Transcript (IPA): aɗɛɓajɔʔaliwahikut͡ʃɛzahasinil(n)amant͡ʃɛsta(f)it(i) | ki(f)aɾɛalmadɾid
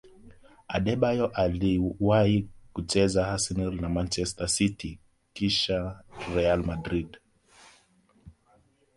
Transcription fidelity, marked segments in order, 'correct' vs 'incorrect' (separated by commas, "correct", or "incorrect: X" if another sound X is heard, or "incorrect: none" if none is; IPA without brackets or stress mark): correct, incorrect: s, correct, incorrect: ʃ